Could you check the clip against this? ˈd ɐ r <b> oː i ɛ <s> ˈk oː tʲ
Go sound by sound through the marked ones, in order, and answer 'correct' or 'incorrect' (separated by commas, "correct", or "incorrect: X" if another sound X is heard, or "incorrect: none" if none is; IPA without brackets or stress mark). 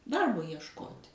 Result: correct, incorrect: ʃ